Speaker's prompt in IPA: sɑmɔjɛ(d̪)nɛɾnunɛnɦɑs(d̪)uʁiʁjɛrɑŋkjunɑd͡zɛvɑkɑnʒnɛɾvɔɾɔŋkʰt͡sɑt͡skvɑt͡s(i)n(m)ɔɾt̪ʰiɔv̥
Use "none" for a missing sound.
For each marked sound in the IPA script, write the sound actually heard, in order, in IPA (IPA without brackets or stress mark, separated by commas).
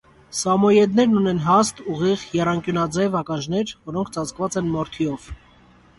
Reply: d̪, t̪, ɛ, m